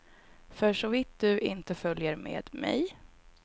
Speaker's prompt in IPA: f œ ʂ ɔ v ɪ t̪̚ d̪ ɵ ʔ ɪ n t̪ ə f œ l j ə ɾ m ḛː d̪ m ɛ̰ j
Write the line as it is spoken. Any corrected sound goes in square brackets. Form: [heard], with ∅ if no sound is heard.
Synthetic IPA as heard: f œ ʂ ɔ v ɪ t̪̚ d̪ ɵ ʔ ɪ n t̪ ə f œ l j ə ɾ m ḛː d̪ m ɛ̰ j